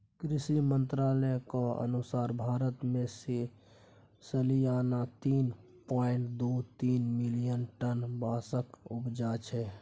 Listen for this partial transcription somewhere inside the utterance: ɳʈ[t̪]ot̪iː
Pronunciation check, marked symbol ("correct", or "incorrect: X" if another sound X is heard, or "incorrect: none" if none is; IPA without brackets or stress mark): incorrect: d̪